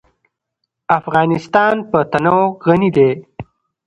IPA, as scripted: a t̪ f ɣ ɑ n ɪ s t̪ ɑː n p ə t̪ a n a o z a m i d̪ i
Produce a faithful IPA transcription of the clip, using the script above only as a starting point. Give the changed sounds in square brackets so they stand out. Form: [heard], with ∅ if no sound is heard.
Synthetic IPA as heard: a [∅] f ɣ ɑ n ɪ s t̪ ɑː n p ə t̪ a n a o [ɣ] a [n] i d̪ [e]